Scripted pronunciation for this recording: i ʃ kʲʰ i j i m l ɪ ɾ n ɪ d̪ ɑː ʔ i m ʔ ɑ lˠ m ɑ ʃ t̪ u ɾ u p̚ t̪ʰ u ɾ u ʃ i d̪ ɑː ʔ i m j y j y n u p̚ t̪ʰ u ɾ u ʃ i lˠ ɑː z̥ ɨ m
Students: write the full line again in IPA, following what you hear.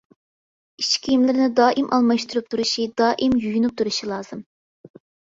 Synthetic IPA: i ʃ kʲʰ i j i m l ɪ ɾ n ɪ d̪ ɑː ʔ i m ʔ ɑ lˠ m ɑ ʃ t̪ u ɾ u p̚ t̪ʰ u ɾ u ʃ i d̪ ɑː ʔ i m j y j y n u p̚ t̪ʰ u ɾ u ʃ i lˠ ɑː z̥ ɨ m